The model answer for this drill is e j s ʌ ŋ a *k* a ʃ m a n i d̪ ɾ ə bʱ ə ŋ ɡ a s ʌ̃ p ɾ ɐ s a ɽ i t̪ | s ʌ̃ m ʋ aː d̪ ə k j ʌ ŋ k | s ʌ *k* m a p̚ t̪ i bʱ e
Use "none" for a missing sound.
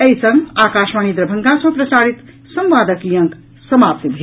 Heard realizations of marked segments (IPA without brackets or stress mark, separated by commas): k, none